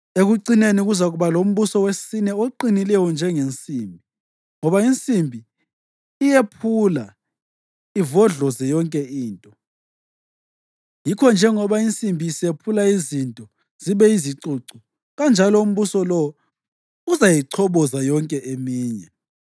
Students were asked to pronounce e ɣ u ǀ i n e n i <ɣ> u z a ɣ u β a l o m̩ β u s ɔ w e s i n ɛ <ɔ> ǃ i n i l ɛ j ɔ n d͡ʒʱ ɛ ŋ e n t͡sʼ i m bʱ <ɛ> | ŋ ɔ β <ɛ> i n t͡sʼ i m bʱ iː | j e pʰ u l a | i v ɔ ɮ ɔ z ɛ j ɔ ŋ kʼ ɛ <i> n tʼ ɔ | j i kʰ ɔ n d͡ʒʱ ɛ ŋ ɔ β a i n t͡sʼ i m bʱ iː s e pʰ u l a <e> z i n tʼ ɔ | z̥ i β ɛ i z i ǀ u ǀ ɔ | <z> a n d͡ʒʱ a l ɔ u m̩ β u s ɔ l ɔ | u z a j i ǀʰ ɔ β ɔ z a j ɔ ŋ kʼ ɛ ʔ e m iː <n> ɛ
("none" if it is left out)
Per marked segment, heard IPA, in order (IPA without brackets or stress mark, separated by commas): ɣ, o, i, a, iː, i, ɣ, ɲ